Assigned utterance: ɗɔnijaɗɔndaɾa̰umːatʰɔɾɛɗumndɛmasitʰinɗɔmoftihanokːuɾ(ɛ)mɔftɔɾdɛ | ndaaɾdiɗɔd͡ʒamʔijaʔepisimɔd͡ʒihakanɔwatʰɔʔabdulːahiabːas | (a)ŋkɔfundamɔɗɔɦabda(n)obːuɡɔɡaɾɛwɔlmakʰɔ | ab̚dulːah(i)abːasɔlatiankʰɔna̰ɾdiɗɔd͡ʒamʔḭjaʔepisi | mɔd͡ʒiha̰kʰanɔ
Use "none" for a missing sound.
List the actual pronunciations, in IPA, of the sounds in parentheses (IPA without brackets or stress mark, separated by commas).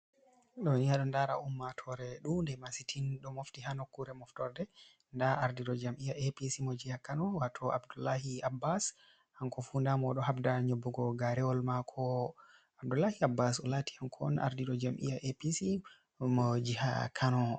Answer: ɛ, a, ɲ, i